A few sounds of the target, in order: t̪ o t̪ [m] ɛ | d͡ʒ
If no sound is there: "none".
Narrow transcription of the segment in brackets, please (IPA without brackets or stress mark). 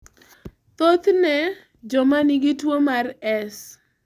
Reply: n